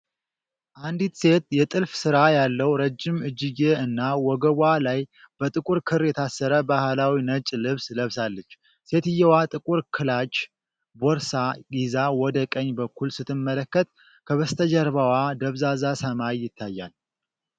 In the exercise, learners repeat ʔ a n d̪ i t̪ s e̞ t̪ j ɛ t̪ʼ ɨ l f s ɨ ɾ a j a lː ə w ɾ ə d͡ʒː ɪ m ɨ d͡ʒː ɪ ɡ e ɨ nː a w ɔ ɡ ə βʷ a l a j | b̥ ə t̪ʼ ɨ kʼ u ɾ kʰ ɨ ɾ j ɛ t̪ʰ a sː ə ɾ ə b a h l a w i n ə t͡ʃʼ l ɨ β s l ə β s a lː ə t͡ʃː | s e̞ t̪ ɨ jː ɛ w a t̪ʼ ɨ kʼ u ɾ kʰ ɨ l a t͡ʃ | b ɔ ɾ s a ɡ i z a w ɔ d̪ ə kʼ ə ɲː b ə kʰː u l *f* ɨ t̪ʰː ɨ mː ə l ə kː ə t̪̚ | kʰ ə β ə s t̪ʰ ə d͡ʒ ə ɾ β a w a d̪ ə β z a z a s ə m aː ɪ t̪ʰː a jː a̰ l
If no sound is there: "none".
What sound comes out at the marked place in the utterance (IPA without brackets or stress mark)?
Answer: s